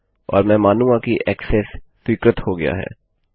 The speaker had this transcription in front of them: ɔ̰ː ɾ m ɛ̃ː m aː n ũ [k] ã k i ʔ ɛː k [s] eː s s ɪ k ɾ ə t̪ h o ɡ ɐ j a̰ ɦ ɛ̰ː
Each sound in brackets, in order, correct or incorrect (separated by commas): incorrect, correct